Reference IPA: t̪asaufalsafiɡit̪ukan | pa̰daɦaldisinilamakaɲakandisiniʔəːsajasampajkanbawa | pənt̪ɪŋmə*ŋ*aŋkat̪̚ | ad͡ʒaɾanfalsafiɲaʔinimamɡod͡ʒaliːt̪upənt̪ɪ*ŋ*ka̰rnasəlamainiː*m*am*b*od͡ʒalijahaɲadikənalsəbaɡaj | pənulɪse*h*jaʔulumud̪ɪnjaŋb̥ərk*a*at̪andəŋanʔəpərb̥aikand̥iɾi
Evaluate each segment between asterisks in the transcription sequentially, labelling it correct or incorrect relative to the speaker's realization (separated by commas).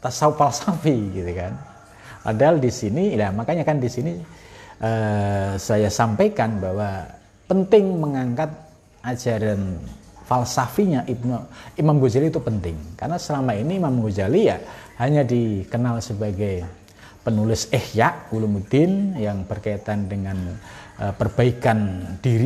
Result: correct, correct, correct, incorrect, correct, correct